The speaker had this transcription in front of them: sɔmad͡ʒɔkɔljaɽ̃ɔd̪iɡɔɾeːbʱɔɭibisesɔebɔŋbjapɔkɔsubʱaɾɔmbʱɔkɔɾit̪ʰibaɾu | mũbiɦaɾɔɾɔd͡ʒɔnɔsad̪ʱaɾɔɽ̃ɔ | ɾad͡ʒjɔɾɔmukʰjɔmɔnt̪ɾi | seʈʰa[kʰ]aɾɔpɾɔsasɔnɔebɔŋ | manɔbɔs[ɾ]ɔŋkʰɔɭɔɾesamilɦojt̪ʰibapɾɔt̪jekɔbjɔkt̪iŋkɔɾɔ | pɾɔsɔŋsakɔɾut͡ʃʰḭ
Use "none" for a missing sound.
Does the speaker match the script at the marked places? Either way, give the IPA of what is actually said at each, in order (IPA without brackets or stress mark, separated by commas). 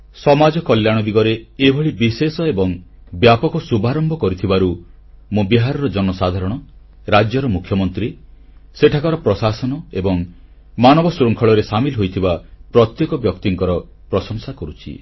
k, ɾ